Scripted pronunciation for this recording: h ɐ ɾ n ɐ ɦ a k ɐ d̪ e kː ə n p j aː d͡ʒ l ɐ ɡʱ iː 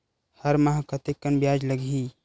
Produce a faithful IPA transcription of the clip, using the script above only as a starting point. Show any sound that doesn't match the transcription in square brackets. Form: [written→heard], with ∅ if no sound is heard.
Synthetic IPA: h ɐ ɾ [n→m] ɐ ɦ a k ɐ [d̪→t̪] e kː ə n [p→b] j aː d͡ʒ l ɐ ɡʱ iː